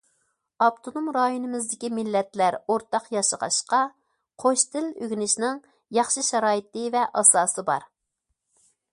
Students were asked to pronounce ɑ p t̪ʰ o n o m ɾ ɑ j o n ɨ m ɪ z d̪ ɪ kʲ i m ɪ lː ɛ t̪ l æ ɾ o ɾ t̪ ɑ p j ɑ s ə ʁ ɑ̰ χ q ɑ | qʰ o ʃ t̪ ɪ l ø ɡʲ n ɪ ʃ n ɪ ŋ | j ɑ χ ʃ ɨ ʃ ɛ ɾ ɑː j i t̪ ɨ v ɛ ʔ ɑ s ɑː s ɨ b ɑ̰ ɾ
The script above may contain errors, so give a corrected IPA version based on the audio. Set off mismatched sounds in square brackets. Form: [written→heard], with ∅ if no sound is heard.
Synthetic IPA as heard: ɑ p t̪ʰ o n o m ɾ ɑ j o n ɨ m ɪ z d̪ ɪ kʲ i m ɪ lː ɛ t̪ l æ ɾ o ɾ t̪ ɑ [p→q] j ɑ [s→ʃ] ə ʁ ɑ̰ [χ→ʃ] q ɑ | qʰ o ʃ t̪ ɪ l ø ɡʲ n ɪ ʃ n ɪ ŋ | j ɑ χ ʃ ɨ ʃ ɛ ɾ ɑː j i t̪ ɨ v ɛ ʔ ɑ s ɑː s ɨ b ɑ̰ ɾ